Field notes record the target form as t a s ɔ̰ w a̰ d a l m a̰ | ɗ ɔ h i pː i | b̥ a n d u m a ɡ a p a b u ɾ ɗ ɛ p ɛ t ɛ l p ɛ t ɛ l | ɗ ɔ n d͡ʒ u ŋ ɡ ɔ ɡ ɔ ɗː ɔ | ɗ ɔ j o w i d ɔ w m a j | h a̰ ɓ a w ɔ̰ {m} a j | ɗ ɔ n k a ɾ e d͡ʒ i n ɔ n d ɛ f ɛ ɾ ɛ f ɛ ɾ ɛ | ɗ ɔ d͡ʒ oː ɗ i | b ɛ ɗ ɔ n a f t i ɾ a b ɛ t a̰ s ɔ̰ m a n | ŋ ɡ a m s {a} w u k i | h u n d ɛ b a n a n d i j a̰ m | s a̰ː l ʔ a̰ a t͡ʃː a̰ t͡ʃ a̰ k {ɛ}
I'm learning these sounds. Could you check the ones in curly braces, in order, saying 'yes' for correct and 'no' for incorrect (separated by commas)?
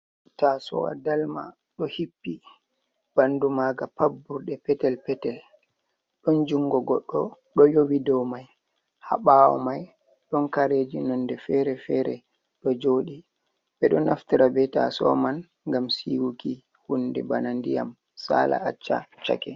yes, no, yes